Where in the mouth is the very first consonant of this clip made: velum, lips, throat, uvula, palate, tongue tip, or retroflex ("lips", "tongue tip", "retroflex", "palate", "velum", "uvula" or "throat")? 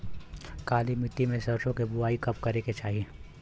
velum